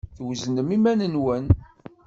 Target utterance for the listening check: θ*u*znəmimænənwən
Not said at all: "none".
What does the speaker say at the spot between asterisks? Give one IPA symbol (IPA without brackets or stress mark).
w